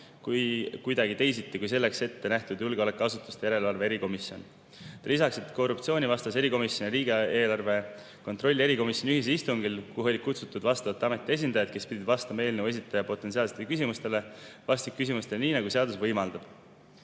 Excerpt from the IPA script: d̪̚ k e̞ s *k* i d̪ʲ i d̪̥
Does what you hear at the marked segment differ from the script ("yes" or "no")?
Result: yes